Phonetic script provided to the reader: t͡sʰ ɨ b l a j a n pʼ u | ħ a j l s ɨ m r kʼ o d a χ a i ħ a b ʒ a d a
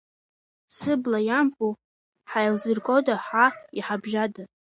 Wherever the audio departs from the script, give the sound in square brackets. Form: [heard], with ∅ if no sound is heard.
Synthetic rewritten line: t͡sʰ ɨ b l a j a [m] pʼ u | ħ a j l [z] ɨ [∅] r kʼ o d a [ħ] a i ħ a b ʒ a d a

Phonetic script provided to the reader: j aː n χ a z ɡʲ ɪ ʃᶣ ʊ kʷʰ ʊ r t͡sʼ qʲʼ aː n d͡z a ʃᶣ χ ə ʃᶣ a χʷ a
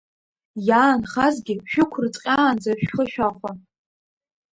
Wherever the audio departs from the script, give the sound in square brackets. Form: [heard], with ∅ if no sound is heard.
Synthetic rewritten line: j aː n χ a z ɡʲ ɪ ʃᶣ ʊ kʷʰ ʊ r t͡sʼ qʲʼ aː n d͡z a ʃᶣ χ ə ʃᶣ a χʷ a

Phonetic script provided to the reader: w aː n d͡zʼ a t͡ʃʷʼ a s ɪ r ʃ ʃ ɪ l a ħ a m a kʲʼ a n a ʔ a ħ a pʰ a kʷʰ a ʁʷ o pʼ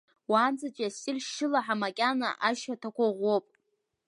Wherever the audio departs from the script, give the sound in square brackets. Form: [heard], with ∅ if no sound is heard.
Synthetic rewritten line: w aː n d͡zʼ a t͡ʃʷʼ a s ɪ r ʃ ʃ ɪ l a ħ a m a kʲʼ a n a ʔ a [ʃ] a [tʰ] a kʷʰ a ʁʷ o pʼ

